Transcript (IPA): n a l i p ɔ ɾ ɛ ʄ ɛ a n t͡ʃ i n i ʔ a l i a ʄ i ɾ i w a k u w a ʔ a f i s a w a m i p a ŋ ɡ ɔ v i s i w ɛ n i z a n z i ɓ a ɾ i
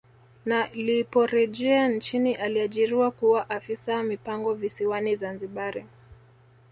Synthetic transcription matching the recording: n a l i p ɔ ɾ ɛ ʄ ɛ a n t͡ʃ i n i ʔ a l i a ʄ i ɾ i w a k u w a ʔ a f i s a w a m i p a ŋ ɡ ɔ v i s i w a n i z a n z i ɓ a ɾ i

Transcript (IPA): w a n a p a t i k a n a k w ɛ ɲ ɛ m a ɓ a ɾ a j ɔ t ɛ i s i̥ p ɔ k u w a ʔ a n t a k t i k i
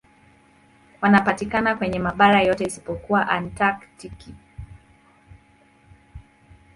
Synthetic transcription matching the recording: w a n a p a t i k a n a k w ɛ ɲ ɛ m a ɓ a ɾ a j ɔ t ɛ i s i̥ p ɔ k u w a ʔ a n t a k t i k i

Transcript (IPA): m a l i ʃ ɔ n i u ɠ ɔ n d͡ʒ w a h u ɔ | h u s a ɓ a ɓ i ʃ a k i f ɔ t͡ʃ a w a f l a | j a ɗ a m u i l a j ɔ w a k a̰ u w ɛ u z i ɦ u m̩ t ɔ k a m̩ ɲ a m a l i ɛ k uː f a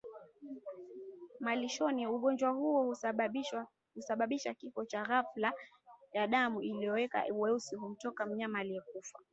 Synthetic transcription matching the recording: m a l i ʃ ɔ n i u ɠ ɔ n d͡ʒ w a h u ɔ | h u s a ɓ a ɓ i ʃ a k i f ɔ t͡ʃ a ɣ a f l a | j a ɗ a m u i l i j ɔ w ɛ k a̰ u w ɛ u s i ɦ u m̩ t ɔ k a m̩ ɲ a m a l i ɛ k u f a

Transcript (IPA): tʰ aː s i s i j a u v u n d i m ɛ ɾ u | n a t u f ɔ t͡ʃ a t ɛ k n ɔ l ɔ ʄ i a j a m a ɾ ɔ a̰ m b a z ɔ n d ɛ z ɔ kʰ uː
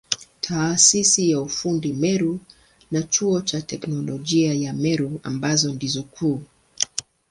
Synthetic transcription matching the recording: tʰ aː s i s i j a u f u n d i m ɛ ɾ u | n a t͡ʃ u ɔ t͡ʃ a t ɛ k n ɔ l ɔ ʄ i a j a m ɛ ɾ u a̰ m b a z ɔ n d i z ɔ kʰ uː

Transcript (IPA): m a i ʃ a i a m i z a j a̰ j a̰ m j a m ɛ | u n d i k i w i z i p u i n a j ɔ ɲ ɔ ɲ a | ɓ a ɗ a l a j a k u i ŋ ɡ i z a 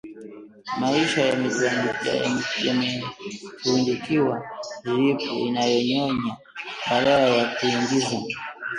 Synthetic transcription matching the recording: m a i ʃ a j a m i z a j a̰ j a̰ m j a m ɛ | u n d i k i w a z i p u i n a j ɔ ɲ ɔ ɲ a | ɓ a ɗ a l a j a k u i ŋ ɡ i z a

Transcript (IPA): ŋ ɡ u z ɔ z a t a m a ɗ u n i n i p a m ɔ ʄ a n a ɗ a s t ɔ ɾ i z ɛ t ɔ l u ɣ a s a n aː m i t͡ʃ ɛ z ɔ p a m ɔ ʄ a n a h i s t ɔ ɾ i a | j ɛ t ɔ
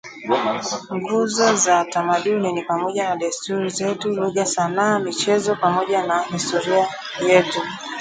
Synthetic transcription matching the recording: ŋ ɡ u z ɔ z a t a m a ɗ u n i n i p a m ɔ ʄ a n a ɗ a s t u ɾ i z ɛ t u l u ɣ a s a n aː m i t͡ʃ ɛ z ɔ p a m ɔ ʄ a n a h i s t ɔ ɾ i a | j ɛ t u

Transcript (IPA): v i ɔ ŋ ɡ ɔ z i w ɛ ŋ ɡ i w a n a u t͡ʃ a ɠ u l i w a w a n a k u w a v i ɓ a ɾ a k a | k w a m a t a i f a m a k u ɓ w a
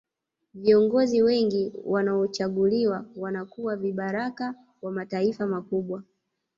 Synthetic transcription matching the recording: v i ɔ ŋ ɡ ɔ z i w ɛ ŋ ɡ i w a n a ɔ t͡ʃ a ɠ u l i w a w a n a k u w a v i ɓ a ɾ a k a | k w a m a t a i f a m a k u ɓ w a

